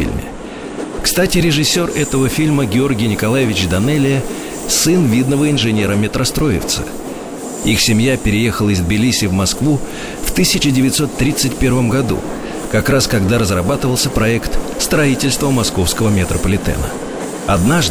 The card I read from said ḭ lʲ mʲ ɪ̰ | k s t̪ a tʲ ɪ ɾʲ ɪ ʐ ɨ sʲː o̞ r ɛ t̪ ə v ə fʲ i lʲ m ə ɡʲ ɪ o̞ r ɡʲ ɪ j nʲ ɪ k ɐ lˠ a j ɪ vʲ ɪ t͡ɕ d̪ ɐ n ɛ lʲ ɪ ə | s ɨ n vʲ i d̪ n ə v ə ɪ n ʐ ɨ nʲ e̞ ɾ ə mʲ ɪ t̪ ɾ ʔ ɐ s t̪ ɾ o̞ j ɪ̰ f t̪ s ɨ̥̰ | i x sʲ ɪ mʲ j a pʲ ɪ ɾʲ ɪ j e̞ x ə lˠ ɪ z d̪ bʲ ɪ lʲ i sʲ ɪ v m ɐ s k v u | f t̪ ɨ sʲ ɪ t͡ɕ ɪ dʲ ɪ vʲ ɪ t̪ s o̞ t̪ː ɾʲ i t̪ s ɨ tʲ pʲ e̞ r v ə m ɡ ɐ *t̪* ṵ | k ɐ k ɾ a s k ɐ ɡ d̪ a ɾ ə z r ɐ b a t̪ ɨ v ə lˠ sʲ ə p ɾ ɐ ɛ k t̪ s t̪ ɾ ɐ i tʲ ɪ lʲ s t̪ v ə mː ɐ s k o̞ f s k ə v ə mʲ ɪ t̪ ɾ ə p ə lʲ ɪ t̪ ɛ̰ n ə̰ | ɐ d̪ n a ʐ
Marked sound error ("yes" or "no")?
yes